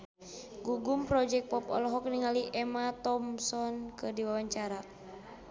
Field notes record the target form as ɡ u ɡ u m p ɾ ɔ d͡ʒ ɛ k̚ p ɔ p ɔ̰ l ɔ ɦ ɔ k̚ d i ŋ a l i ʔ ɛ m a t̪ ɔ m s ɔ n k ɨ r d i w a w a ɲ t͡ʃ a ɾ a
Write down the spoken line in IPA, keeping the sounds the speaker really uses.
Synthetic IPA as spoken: ɡ u ɡ u m p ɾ ɔ d͡ʒ ɛ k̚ p ɔ p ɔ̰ l ɔ ɦ ɔ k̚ n i ŋ a l i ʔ ɛ m a t̪ ɔ m s ɔ n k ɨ r d i w a w a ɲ t͡ʃ a ɾ a